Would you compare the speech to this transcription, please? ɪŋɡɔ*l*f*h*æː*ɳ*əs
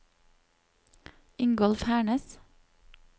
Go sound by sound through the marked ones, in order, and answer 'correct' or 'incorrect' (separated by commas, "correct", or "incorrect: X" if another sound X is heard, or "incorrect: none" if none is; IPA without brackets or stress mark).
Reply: correct, correct, correct